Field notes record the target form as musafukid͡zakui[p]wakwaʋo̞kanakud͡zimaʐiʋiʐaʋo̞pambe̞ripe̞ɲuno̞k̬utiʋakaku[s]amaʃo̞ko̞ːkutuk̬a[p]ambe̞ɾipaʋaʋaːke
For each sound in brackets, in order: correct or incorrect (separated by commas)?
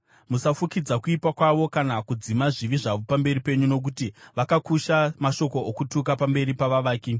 correct, incorrect, correct